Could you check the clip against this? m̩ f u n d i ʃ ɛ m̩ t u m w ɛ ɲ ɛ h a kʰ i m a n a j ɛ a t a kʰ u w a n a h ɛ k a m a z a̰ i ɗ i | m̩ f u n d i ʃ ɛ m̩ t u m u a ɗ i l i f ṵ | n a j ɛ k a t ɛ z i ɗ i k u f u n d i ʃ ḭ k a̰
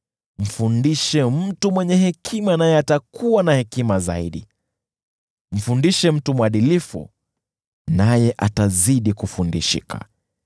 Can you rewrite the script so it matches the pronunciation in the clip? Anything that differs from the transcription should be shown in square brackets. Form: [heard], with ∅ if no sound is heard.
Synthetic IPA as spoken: m̩ f u n d i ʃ ɛ m̩ t u m w ɛ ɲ ɛ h [ɛ] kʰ i m a n a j ɛ a t a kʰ u w a n a h ɛ k [i] m a z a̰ i ɗ i | m̩ f u n d i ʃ ɛ m̩ t u m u a ɗ i l i f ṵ | n a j ɛ [ʔ] a t [a] z i ɗ i k u f u n d i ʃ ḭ k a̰